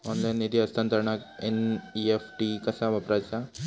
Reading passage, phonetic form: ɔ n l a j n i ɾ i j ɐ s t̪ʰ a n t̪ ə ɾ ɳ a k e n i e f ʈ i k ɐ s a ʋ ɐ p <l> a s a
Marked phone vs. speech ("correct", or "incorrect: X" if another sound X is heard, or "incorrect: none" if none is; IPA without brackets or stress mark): incorrect: ɾ